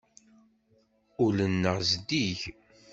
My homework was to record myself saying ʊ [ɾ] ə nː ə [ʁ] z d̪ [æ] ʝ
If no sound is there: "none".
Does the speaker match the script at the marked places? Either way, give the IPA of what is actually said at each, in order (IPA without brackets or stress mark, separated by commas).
l, ʁ, i